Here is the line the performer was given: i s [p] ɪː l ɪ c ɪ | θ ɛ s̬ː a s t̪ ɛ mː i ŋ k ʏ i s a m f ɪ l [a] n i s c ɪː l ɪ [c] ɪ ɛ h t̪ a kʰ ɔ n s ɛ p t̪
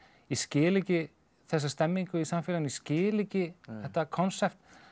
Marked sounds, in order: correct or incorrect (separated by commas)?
incorrect, correct, correct